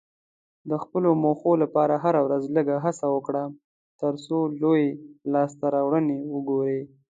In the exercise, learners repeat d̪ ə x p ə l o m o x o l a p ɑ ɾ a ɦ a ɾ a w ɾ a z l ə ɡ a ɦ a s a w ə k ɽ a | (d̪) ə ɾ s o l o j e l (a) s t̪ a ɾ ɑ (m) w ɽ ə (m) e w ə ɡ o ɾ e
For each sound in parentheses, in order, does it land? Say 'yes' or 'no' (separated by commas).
no, no, no, no